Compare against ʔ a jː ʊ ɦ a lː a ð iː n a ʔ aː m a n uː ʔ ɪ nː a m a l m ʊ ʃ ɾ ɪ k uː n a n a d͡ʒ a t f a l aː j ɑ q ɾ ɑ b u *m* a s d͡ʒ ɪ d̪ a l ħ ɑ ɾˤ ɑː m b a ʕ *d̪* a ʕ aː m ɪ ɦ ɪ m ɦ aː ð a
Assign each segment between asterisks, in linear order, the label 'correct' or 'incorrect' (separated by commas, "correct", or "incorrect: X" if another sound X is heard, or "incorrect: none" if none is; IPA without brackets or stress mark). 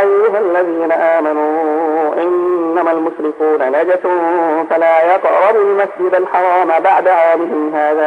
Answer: correct, correct